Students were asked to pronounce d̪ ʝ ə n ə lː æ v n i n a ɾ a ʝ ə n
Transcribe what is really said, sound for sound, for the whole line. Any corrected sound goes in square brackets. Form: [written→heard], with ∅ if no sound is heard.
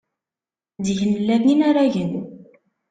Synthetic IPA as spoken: d̪ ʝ ə n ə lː æ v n i n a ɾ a ʝ ə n